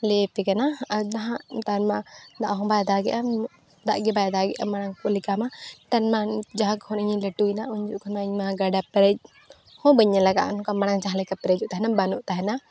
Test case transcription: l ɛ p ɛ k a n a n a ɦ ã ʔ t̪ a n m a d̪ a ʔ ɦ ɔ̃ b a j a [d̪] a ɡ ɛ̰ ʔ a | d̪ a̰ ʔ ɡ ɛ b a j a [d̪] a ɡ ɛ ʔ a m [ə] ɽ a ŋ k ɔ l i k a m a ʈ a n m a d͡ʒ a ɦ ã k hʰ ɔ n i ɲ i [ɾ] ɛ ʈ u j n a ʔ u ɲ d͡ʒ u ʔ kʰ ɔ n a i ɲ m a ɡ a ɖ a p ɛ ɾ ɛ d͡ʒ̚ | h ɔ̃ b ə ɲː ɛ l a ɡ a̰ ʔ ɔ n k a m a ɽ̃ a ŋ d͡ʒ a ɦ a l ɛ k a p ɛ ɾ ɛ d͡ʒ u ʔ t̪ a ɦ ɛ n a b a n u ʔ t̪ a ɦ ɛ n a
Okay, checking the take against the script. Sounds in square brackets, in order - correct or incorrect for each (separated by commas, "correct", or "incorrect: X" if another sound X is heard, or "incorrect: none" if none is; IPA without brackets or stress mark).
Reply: correct, correct, incorrect: a, incorrect: l